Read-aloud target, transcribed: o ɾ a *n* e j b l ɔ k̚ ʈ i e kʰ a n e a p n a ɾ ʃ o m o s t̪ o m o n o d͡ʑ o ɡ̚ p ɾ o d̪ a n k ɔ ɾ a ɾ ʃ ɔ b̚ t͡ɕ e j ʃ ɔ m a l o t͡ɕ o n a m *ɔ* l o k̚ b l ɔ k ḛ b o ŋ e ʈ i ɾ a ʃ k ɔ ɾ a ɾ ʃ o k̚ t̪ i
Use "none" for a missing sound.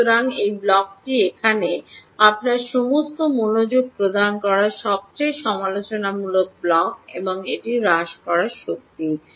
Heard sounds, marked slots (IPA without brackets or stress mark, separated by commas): ŋ, u